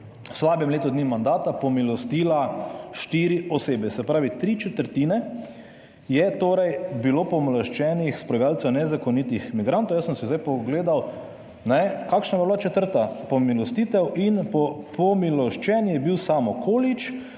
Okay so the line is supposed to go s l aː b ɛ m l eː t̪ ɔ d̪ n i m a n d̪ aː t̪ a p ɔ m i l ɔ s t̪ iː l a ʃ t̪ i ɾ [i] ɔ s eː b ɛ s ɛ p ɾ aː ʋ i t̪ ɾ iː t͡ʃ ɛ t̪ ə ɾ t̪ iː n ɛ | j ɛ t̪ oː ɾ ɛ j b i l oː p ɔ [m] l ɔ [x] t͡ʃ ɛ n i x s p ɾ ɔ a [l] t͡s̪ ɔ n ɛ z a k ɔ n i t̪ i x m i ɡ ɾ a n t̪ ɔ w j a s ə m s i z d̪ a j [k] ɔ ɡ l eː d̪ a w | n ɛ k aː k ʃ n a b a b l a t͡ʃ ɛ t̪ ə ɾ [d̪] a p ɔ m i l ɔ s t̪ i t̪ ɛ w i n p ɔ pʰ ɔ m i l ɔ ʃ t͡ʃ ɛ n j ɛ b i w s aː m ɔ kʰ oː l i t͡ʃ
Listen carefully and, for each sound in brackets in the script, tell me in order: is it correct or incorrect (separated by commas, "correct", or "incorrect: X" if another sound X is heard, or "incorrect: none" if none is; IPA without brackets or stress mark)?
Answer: correct, correct, incorrect: ʃ, correct, incorrect: p, incorrect: t̪